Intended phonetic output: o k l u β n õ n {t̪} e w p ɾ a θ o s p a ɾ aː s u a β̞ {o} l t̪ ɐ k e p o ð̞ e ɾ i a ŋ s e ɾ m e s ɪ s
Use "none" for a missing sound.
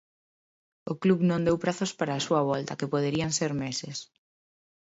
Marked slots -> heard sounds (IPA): d̪, ɔ

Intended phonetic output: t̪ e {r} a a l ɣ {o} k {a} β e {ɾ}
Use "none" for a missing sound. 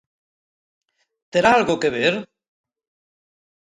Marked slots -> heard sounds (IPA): ɾ, o, e, ɾ

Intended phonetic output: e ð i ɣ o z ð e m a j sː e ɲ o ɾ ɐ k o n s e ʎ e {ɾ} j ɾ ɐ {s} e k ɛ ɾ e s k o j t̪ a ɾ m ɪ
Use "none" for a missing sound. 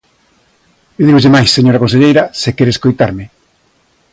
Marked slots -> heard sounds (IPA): none, s

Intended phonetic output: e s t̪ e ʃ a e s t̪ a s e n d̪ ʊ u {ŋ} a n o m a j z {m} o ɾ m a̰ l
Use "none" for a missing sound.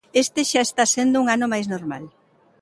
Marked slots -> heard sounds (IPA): ŋ, n

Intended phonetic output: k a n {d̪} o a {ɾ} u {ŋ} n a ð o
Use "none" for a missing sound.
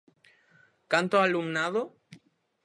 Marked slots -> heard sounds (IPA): t̪, l, m

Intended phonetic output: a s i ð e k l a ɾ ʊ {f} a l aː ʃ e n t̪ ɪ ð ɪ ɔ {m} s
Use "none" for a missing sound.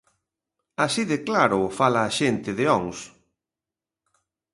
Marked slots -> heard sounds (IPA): f, ŋ

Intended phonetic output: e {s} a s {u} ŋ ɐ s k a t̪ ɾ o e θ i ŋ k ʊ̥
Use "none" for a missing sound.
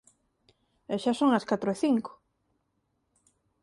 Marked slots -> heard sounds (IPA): ʃ, o

